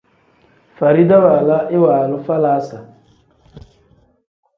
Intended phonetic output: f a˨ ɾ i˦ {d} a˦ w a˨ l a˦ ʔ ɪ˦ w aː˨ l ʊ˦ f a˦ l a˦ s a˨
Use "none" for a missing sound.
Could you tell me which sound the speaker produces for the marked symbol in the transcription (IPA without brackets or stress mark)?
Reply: d